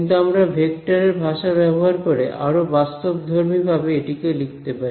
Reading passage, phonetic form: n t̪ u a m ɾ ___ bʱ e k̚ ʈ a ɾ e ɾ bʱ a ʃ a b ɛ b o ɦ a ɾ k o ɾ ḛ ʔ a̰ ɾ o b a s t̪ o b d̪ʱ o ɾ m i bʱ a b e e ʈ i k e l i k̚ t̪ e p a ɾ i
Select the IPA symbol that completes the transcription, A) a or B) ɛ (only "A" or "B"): A